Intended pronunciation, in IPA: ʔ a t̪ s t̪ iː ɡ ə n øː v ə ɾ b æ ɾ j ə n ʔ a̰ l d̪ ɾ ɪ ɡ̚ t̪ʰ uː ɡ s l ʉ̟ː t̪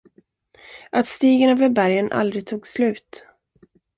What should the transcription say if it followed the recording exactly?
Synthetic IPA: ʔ a t̪ s t̪ iː ɡ ə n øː v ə ɾ b æ ɾ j ə n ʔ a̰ l d̪ ɾ ɪ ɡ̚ t̪ʰ uː ɡ s l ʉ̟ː t̪